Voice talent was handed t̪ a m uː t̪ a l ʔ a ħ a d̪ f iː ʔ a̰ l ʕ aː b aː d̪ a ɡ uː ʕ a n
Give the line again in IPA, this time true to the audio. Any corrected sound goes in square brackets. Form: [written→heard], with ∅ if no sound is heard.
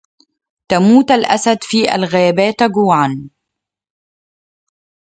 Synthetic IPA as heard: t̪ a m uː t̪ a l ʔ a [ħ→s] a d̪ f iː ʔ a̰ l [ʕ→ɣ] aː b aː [d̪→t̪] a ɡ uː ʕ a n